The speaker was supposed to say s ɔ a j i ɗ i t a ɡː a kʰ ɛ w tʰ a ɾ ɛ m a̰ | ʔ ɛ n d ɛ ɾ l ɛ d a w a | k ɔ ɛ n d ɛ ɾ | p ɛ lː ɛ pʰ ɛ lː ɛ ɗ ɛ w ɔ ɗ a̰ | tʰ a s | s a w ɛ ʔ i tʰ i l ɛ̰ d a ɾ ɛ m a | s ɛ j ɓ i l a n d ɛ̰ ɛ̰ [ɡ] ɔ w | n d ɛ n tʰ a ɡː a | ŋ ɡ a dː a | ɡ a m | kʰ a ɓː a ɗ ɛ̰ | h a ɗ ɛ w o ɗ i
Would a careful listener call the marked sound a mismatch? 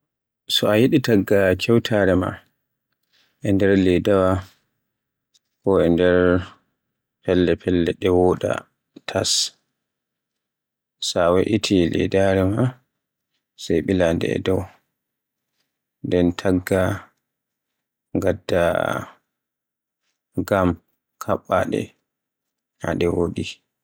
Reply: yes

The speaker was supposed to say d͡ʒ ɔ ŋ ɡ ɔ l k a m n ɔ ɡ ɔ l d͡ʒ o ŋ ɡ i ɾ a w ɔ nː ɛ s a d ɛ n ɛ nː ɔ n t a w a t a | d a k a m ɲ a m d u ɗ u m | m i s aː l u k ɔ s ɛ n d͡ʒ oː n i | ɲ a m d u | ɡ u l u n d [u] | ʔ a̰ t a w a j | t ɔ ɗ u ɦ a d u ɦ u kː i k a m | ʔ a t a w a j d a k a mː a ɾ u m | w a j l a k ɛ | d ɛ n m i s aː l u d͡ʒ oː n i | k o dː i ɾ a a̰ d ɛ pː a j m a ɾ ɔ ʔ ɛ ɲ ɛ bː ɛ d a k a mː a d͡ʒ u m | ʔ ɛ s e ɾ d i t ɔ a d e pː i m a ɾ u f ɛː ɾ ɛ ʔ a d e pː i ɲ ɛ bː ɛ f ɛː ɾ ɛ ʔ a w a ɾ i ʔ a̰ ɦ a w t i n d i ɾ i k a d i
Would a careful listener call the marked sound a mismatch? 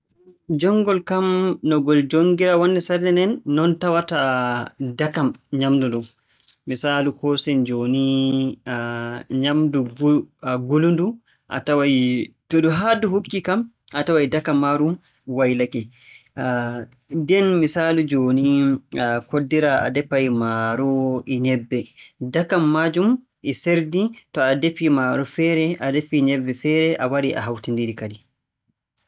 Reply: no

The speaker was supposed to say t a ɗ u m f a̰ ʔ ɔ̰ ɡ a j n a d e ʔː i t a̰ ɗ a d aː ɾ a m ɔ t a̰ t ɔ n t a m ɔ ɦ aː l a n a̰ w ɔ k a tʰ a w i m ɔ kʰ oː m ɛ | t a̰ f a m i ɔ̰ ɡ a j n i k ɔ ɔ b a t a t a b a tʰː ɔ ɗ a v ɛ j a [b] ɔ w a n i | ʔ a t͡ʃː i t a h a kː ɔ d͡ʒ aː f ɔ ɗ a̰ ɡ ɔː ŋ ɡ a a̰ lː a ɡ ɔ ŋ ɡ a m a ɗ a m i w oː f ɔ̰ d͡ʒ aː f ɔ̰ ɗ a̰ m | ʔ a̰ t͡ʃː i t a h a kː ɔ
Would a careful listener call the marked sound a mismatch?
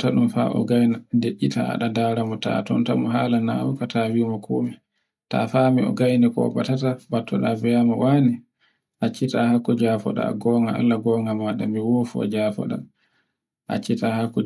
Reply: yes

